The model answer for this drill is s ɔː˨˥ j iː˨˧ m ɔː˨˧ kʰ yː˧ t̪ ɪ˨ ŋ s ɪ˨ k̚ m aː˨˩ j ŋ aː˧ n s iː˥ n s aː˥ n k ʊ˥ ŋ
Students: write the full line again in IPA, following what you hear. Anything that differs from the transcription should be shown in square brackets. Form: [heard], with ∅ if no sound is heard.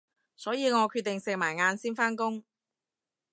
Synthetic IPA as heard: s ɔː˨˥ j iː˨˧ [ŋ] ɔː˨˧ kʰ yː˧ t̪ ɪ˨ ŋ s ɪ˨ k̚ m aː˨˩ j ŋ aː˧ n s iː˥ n [f] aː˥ n k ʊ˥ ŋ